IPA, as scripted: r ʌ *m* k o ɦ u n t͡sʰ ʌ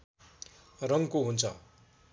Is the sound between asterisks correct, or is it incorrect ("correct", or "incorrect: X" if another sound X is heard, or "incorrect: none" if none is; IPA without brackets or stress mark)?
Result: incorrect: ŋ